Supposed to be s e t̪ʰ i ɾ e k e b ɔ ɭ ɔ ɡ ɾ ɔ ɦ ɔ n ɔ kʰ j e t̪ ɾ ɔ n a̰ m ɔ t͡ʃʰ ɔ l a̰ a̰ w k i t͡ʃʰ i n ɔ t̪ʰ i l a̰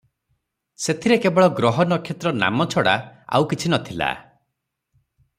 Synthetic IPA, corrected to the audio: s e t̪ʰ i ɾ e k e b ɔ ɭ ɔ ɡ ɾ ɔ ɦ ɔ n ɔ kʰ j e t̪ ɾ ɔ n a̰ m ɔ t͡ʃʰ ɔ ɽ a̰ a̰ w k i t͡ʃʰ i n ɔ t̪ʰ i l a̰